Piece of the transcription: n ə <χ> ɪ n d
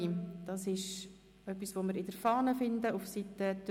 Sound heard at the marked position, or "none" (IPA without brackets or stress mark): f